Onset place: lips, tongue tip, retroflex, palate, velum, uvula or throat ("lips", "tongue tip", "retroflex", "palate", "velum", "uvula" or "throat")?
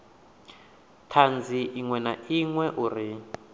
tongue tip